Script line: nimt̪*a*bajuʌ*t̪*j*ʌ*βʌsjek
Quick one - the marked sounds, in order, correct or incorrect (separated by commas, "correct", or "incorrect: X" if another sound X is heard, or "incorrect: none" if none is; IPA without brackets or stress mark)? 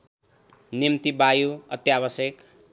incorrect: i, correct, incorrect: a